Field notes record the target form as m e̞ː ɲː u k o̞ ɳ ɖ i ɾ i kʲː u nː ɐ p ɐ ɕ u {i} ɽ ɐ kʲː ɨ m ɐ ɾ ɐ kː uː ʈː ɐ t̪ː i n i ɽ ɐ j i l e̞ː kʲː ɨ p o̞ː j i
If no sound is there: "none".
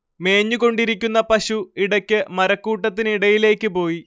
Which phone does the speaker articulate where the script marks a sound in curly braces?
i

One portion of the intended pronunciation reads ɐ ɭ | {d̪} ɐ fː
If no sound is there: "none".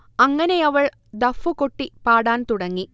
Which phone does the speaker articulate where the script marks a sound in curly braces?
d̪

